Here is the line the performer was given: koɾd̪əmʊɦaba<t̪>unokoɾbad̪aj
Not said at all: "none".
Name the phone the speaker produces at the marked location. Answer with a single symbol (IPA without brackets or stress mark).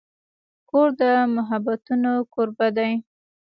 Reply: t̪